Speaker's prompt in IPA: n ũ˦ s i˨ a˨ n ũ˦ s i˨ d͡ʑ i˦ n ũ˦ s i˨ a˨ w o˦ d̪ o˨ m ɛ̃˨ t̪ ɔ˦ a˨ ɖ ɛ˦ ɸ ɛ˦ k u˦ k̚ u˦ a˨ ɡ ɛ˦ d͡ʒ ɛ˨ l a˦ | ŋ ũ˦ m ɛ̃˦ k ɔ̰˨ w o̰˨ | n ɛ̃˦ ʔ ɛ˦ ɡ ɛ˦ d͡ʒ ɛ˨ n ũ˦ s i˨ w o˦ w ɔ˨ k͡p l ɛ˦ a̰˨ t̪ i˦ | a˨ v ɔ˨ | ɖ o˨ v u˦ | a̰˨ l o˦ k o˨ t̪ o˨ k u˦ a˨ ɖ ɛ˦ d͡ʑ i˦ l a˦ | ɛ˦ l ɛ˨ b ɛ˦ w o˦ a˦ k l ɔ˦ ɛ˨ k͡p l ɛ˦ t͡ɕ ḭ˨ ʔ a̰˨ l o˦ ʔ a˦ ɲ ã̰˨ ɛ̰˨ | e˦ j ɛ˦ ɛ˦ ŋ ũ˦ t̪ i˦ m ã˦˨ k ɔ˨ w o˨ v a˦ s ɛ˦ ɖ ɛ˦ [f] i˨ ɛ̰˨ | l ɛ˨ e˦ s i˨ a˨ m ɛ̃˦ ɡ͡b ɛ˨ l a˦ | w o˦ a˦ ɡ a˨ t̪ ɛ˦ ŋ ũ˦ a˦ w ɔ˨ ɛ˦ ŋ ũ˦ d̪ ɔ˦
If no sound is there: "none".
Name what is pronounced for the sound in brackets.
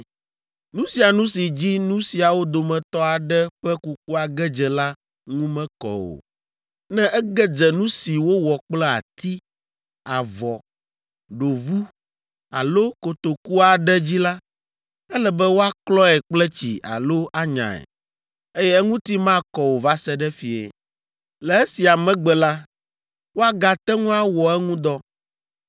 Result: f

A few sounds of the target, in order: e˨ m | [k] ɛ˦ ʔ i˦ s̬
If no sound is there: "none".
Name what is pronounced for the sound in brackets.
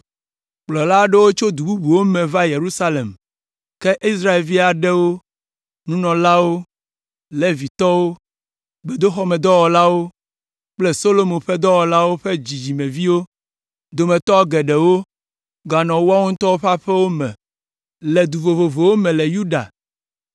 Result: k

